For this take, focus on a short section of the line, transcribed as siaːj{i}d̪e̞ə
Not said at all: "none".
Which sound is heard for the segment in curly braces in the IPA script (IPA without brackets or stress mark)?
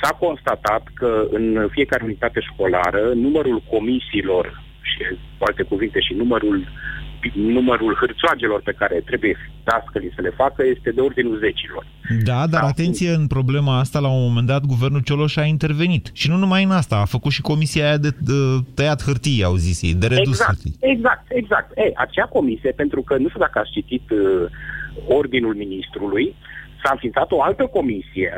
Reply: a